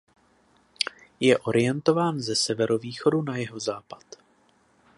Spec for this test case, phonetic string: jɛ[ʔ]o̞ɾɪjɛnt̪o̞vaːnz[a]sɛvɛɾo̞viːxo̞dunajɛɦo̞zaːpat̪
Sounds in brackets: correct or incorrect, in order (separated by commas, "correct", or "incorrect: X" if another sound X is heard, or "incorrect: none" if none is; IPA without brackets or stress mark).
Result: correct, incorrect: ɛ